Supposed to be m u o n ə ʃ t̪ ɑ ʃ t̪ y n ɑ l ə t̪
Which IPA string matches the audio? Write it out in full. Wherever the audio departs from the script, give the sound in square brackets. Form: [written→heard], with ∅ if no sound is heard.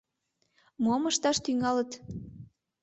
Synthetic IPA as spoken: m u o [n→m] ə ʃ t̪ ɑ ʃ t̪ y [n→ŋ] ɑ l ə t̪